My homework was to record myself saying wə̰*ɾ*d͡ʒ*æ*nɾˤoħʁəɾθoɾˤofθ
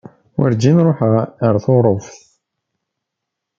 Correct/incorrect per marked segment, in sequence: correct, incorrect

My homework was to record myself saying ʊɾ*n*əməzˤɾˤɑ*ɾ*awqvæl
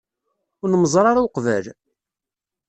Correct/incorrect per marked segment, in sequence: correct, correct

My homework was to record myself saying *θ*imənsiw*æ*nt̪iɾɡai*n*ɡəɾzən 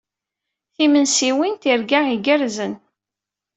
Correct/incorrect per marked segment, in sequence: correct, incorrect, incorrect

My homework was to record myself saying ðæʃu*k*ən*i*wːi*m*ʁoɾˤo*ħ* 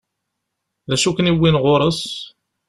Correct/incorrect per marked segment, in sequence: correct, correct, incorrect, incorrect

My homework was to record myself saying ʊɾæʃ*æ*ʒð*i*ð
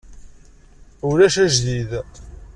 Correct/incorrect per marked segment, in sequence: correct, correct

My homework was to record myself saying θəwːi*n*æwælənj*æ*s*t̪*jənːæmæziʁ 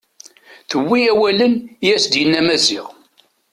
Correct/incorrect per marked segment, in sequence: incorrect, correct, incorrect

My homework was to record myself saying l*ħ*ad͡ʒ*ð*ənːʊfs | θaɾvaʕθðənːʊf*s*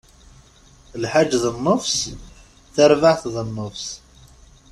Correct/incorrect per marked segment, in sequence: correct, correct, correct

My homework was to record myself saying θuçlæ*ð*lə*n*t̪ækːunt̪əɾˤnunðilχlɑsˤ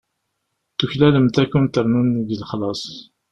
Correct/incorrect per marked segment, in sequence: incorrect, incorrect

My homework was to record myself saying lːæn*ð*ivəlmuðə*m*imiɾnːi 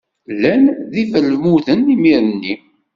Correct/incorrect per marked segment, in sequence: correct, incorrect

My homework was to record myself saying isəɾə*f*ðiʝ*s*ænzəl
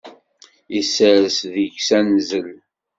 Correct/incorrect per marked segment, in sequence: incorrect, correct

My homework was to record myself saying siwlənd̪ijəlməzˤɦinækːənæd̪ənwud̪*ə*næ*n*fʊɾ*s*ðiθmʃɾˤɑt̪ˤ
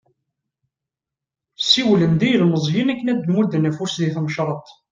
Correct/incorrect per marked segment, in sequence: correct, incorrect, correct

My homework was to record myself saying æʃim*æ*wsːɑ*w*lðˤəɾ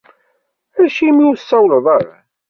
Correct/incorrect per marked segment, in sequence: incorrect, correct

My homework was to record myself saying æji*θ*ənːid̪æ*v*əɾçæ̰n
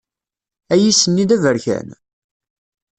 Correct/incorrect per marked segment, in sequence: incorrect, correct

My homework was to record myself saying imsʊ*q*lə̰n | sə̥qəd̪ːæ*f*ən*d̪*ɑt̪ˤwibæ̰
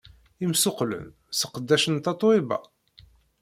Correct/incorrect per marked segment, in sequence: correct, incorrect, incorrect

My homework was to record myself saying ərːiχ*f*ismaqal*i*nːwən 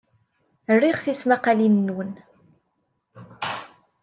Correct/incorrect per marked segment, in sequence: incorrect, correct

